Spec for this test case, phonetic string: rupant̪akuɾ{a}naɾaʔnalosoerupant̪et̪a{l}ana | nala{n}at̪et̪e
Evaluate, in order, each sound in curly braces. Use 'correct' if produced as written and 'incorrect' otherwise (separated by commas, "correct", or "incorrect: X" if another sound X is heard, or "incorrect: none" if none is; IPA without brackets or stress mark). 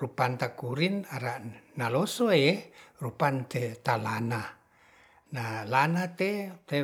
incorrect: i, correct, correct